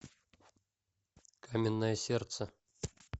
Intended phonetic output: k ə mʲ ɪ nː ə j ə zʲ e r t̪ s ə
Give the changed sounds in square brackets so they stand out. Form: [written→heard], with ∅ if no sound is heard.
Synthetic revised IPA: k [ə→a] mʲ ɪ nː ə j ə [zʲ→sʲ] e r t̪ s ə